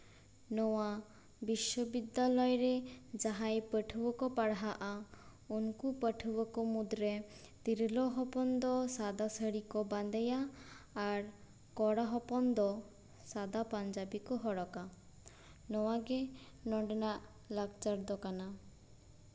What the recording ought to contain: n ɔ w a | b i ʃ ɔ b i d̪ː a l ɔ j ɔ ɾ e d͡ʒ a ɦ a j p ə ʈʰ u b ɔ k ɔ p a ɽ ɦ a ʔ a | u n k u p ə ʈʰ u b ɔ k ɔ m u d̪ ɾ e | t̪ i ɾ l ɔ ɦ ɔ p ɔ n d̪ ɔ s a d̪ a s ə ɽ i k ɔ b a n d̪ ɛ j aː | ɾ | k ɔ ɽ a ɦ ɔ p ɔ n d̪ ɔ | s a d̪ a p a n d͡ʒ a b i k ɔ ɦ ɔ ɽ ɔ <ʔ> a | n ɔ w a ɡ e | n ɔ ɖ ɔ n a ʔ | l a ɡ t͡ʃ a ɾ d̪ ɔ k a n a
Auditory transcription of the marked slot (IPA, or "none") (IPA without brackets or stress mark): k